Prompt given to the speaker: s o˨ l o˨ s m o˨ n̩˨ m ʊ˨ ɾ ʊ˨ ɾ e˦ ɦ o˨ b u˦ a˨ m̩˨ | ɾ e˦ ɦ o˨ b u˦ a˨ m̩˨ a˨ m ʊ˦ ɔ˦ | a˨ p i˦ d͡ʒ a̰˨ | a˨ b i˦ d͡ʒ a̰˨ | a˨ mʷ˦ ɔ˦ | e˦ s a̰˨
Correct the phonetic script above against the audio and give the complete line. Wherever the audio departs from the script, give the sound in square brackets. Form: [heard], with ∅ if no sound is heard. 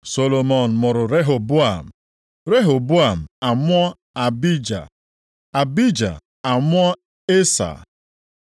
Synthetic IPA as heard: s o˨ l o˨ [∅] m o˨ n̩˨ m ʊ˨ ɾ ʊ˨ ɾ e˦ ɦ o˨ b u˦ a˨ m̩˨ | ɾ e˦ ɦ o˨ b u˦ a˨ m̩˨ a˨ m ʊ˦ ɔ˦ | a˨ [b] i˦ d͡ʒ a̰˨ | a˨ b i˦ d͡ʒ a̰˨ | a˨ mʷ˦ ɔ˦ | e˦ s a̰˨